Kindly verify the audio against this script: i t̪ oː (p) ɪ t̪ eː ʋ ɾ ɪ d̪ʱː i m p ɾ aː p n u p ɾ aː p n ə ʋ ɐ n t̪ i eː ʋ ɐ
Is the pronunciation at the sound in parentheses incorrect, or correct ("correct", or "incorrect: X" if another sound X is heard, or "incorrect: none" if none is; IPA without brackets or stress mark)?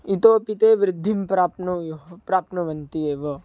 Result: correct